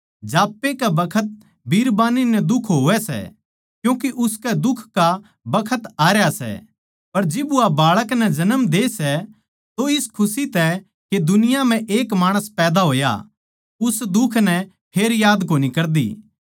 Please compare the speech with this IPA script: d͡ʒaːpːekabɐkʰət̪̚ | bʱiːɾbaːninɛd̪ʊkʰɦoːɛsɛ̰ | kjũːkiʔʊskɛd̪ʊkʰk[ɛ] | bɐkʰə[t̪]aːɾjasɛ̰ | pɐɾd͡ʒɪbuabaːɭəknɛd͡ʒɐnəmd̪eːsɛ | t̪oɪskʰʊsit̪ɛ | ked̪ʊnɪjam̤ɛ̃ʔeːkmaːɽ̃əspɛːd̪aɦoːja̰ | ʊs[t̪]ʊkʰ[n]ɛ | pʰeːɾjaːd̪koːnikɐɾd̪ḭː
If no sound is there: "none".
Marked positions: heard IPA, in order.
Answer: a, t̪, d̪, n

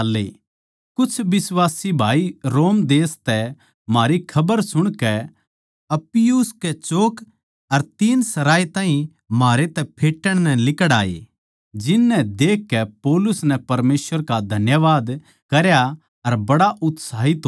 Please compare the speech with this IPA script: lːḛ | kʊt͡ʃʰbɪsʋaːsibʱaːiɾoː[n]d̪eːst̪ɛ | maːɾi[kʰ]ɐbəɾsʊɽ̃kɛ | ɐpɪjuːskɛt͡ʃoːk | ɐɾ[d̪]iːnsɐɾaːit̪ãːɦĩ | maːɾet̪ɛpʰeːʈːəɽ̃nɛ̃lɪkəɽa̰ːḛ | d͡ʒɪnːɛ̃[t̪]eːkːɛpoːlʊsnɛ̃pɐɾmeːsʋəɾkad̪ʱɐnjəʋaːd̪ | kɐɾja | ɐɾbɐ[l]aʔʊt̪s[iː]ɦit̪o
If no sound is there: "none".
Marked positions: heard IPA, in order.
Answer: m, kʰ, t̪, d̪, ɽ, aː

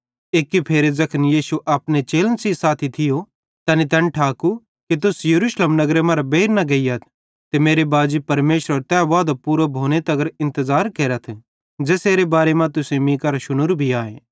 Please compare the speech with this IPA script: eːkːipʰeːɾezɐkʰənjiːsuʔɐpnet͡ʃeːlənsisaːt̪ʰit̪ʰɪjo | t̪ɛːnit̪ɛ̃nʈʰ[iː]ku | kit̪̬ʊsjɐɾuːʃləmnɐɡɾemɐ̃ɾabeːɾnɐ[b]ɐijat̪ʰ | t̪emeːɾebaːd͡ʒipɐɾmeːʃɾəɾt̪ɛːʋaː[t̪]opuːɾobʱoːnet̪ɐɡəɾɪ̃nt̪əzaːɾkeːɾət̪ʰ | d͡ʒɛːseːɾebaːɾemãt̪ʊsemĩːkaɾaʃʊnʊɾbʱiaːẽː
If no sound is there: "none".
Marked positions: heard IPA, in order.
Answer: aː, ɡ, d̪

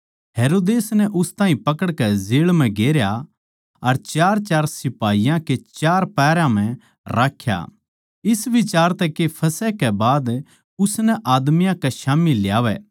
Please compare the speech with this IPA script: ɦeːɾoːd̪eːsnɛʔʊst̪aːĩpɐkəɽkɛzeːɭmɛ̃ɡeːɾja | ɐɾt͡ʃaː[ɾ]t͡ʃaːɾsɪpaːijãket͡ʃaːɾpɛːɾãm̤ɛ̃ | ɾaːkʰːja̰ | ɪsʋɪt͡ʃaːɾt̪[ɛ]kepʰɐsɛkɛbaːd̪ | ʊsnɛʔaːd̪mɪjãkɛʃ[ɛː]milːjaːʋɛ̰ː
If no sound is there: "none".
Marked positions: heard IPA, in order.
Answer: ɾ, ɛ, aː

